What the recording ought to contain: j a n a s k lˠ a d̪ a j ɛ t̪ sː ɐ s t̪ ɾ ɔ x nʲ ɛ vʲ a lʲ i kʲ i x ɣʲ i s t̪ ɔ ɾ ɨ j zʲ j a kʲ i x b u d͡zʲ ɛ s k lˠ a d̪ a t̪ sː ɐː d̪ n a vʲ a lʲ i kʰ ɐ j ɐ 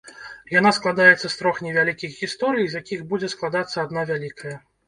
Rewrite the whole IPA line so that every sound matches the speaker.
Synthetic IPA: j a n a s k lˠ a d̪ a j ɛ t̪ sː ɐ s t̪ ɾ ɔ x nʲ ɛ vʲ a lʲ i kʲ i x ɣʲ i s t̪ ɔ ɾ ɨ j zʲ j a kʲ i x b u d͡zʲ ɛ s k lˠ a d̪ a t̪ sː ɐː d̪ n a vʲ a lʲ i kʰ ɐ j ɐ